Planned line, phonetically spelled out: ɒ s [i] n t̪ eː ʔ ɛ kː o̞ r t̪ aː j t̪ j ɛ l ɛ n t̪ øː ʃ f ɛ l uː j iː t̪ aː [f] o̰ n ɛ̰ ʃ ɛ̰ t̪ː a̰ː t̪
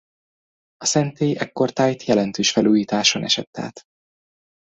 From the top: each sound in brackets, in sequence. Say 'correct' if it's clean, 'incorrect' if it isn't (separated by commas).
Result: incorrect, incorrect